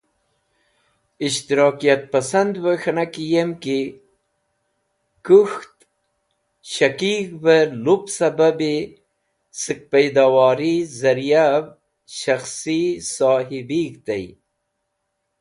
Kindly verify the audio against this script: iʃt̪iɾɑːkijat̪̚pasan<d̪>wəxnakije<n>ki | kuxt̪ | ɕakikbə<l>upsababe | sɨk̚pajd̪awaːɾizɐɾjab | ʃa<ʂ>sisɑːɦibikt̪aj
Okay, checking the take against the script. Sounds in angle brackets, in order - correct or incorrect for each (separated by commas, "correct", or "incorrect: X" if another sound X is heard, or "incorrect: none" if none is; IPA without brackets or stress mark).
correct, incorrect: m, correct, incorrect: x